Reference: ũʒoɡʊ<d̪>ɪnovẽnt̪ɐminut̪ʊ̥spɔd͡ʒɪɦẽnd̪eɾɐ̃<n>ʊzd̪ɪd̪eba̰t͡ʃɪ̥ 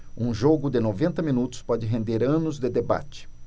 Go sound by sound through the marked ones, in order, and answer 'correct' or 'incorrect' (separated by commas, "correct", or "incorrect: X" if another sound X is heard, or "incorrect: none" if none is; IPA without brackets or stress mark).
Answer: correct, correct